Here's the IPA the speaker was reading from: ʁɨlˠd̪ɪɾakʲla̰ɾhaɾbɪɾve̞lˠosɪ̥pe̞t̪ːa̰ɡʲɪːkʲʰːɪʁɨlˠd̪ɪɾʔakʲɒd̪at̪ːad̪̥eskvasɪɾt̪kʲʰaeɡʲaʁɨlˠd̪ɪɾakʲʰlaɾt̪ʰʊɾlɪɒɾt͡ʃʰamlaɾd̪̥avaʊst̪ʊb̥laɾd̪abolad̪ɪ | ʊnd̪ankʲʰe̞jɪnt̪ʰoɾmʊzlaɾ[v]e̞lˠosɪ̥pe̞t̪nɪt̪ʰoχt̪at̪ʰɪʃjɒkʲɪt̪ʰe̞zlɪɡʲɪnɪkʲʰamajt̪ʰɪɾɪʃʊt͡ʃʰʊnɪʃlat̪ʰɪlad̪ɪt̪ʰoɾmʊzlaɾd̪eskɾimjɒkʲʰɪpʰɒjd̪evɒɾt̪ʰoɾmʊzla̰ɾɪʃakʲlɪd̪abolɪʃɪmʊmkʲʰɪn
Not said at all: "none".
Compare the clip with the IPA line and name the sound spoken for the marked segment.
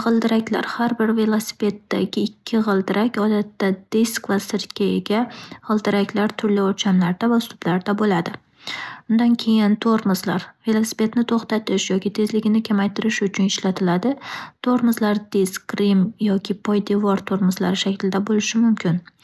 v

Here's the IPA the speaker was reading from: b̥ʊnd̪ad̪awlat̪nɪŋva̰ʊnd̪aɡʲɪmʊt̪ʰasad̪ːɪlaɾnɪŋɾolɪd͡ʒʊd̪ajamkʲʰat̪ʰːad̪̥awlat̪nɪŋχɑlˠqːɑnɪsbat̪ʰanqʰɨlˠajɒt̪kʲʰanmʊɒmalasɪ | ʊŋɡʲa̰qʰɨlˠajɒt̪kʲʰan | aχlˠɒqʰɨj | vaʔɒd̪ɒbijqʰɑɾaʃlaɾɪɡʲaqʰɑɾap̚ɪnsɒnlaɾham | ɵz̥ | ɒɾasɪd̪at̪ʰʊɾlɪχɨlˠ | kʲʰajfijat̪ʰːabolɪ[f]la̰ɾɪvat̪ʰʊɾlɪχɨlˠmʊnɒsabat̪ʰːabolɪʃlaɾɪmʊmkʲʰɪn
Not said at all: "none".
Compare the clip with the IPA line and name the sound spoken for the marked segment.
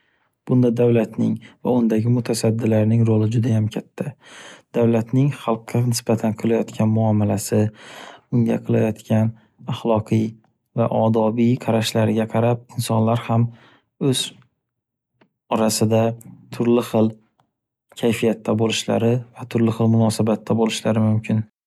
ʃ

